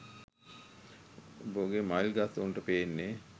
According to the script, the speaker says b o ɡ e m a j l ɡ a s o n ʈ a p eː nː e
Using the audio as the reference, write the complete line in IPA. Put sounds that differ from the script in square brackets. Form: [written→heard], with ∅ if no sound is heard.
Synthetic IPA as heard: b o ɡ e m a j l ɡ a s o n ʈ [a→ə] p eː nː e